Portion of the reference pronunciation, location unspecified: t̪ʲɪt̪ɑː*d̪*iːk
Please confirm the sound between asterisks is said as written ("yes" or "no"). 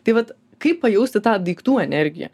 yes